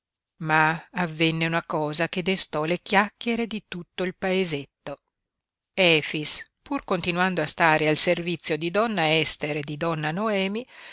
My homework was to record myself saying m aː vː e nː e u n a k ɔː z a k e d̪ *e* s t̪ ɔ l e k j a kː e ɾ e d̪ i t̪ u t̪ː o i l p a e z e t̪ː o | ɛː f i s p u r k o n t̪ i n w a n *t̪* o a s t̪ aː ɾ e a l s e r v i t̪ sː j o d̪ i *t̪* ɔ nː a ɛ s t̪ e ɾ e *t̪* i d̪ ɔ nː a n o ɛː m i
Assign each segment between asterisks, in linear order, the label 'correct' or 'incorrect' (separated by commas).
correct, incorrect, incorrect, incorrect